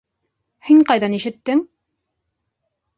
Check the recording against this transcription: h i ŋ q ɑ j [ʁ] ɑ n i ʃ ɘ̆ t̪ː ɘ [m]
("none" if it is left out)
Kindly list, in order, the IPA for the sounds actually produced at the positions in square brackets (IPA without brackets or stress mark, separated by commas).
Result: ð, ŋ